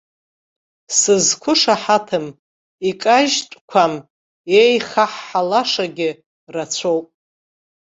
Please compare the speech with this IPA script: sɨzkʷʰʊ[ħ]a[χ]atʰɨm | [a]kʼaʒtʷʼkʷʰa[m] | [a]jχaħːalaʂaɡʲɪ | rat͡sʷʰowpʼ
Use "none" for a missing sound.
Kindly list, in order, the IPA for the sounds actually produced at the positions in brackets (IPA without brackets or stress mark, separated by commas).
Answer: ʂ, ħ, i, m, e